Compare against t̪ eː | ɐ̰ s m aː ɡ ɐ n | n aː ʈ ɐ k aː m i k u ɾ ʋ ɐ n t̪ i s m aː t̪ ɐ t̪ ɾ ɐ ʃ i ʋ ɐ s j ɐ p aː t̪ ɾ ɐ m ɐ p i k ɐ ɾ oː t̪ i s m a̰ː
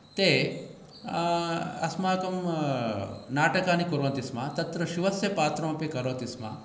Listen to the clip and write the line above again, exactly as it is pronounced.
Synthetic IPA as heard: t̪ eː | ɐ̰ s m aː k ɐ m | n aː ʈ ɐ k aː n i k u ɾ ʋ ɐ n t̪ i s m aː t̪ ɐ t̪ ɾ ɐ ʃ i ʋ ɐ s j ɐ p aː t̪ ɾ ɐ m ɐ p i k ɐ ɾ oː t̪ i s m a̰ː